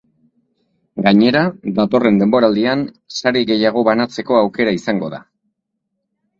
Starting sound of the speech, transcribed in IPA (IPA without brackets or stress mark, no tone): ɡ